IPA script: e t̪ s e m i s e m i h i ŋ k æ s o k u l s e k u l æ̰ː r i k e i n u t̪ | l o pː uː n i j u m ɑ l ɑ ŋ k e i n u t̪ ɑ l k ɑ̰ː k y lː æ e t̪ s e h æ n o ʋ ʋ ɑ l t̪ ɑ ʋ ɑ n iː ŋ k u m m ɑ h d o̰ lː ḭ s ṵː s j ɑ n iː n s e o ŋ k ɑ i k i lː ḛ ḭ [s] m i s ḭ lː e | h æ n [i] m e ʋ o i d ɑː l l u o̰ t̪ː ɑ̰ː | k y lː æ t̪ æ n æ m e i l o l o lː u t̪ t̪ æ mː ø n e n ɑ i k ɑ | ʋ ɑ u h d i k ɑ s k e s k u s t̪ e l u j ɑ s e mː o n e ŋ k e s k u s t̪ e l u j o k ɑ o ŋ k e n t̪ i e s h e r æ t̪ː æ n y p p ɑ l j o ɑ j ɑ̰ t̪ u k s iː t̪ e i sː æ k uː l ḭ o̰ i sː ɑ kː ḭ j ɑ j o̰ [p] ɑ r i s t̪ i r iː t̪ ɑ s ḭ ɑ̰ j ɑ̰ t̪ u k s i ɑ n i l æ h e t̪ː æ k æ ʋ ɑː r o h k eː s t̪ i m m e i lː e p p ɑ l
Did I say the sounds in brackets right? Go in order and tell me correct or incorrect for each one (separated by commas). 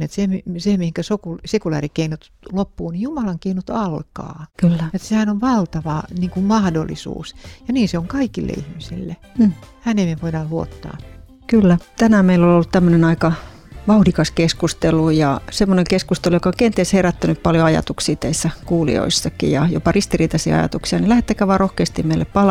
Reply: incorrect, incorrect, correct